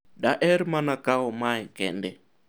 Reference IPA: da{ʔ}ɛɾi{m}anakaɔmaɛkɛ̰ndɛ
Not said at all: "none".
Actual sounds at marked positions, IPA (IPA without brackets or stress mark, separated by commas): ʔ, m